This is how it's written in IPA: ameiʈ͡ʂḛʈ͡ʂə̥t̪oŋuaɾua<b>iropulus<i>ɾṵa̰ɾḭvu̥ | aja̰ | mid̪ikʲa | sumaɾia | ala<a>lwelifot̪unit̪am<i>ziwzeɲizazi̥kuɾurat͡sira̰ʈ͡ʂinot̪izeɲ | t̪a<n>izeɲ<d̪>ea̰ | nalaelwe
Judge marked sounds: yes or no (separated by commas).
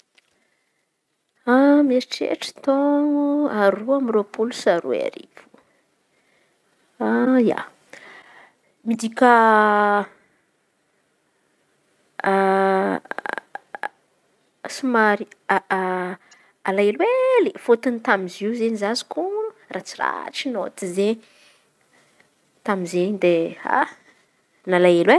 no, no, no, yes, no, yes